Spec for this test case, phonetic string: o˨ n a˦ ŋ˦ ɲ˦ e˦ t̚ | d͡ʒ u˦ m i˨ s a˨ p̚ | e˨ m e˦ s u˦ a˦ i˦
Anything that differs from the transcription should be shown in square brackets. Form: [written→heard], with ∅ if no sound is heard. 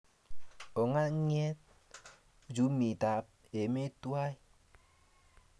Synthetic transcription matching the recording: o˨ [n→ŋ] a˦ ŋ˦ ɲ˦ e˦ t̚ | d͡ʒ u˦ m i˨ [s→t] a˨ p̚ | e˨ m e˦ [s→t] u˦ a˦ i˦